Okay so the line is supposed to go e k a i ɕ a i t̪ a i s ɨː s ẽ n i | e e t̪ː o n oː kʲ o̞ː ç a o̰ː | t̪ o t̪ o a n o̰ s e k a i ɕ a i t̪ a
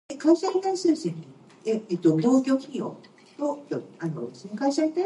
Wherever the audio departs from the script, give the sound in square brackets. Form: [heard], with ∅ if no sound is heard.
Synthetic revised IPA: e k a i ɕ a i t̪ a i s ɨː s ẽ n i | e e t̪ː o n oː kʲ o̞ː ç [i] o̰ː | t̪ o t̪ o a n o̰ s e k a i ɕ a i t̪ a